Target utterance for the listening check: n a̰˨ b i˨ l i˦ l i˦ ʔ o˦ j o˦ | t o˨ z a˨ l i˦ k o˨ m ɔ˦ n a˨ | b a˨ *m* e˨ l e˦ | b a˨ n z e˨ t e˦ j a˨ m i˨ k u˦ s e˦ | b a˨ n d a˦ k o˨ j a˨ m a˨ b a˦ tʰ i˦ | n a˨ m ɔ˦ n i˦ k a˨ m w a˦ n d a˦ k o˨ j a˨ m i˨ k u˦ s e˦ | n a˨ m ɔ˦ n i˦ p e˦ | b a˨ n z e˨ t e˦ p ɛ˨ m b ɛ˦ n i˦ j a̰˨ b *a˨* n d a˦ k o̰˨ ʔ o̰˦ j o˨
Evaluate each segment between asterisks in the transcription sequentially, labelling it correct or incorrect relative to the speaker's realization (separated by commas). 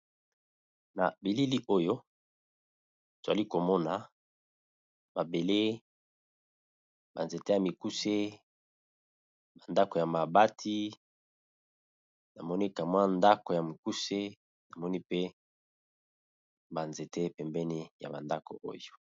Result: incorrect, correct